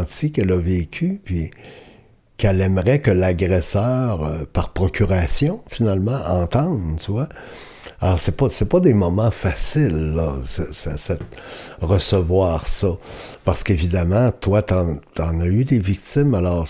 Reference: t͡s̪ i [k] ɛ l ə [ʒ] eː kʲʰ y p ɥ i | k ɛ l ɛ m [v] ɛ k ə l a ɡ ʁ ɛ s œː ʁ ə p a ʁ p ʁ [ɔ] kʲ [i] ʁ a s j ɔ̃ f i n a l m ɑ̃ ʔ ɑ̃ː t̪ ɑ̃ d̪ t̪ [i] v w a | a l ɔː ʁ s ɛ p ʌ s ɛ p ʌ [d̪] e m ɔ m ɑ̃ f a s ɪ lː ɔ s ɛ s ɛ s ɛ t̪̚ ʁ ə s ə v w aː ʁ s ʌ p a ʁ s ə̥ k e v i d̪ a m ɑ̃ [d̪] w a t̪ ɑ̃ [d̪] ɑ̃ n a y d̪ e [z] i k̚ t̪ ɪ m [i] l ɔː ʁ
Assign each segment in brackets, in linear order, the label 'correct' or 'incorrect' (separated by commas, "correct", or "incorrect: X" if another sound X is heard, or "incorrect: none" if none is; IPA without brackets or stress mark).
correct, incorrect: v, incorrect: ʁ, correct, incorrect: y, incorrect: y, correct, incorrect: t̪, incorrect: t̪, incorrect: v, incorrect: a